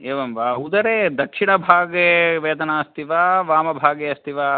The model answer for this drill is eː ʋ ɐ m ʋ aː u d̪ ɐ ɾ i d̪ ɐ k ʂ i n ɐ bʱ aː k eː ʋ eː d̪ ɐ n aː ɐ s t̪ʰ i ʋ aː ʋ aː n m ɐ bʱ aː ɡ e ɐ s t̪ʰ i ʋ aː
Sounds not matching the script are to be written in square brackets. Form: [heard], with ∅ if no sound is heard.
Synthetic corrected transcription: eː ʋ ɐ m ʋ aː u d̪ ɐ ɾ [e] d̪ ɐ k ʂ i [ɳ] ɐ bʱ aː [ɡ] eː ʋ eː d̪ ɐ n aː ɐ s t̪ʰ i ʋ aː ʋ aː [∅] m ɐ bʱ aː ɡ e ɐ s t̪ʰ i ʋ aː